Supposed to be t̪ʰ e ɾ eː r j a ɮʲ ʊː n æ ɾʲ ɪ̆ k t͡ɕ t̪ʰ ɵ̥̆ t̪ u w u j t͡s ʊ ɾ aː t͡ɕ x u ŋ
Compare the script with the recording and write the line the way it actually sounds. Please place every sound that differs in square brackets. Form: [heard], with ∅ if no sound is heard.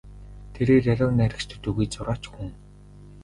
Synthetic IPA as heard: t̪ʰ e ɾ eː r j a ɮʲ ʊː n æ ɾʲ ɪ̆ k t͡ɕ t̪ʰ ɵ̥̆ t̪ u [ɣ] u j t͡s ʊ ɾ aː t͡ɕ x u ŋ